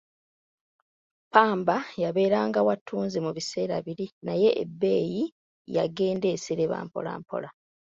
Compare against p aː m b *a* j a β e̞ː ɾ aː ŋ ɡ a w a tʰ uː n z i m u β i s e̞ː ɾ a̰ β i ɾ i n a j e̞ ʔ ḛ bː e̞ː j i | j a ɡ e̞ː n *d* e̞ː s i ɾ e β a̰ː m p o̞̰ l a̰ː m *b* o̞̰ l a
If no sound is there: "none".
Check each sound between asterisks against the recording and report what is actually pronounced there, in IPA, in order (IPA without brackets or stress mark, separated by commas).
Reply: a, d, p